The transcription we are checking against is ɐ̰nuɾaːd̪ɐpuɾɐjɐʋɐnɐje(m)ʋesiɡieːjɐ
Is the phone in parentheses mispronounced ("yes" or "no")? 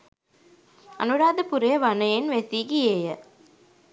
yes